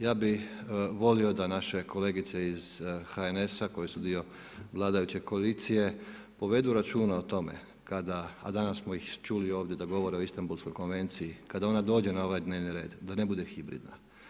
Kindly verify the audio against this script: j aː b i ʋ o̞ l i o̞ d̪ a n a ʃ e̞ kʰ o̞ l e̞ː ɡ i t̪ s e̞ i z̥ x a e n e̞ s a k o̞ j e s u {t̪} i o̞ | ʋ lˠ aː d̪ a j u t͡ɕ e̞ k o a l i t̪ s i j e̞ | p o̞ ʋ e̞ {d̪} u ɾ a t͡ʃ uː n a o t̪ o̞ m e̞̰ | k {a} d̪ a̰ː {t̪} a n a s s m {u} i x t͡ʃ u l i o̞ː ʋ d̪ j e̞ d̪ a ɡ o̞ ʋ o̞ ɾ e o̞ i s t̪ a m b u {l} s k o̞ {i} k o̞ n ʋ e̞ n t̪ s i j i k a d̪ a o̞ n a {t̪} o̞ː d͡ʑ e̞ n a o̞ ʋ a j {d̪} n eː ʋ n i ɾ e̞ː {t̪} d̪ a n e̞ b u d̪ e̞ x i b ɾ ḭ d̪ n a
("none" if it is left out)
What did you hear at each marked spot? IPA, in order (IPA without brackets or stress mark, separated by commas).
d̪, d̪, a, d̪, o, l, j, d̪, d̪, d̪